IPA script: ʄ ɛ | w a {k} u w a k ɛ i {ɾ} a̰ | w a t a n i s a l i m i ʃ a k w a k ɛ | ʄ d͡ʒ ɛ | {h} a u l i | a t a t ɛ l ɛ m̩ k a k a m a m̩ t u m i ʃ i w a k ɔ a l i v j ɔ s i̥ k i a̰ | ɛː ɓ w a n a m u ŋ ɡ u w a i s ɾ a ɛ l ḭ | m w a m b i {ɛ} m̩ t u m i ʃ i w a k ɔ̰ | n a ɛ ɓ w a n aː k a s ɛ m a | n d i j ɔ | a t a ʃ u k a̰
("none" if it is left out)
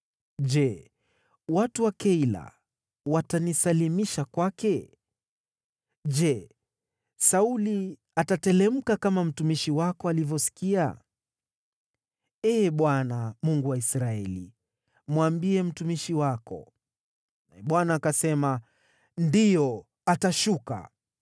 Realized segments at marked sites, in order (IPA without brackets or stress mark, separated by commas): t, l, s, ɛ